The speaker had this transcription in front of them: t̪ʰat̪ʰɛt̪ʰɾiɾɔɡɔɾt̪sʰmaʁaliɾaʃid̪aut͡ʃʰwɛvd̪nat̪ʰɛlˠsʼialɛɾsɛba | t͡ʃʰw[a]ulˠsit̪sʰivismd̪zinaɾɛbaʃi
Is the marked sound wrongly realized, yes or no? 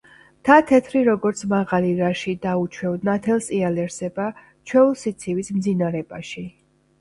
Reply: yes